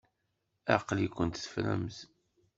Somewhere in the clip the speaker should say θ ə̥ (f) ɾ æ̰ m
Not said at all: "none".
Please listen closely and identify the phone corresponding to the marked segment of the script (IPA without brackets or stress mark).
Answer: f